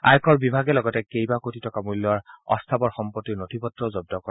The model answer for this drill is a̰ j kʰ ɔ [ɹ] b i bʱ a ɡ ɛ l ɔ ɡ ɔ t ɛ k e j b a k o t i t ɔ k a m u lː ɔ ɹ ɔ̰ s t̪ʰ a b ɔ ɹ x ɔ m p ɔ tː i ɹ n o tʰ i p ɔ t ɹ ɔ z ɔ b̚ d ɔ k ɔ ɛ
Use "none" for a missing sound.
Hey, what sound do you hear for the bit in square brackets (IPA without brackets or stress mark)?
ɹ